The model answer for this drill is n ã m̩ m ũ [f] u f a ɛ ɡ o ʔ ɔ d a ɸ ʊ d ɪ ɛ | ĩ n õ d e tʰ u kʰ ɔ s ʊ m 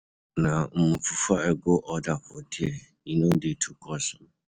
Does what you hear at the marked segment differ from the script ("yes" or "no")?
no